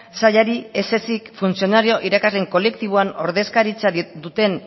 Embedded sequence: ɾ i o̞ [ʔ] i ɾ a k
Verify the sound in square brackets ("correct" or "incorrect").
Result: correct